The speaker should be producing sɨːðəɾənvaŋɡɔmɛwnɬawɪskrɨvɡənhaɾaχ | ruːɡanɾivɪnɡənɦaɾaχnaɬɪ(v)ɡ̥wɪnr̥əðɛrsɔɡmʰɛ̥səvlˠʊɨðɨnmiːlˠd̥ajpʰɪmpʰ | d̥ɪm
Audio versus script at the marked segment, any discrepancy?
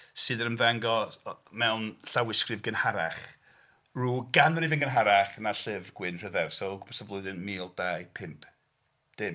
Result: no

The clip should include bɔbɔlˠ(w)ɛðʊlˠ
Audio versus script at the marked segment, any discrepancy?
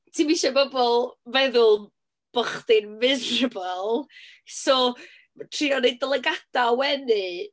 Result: yes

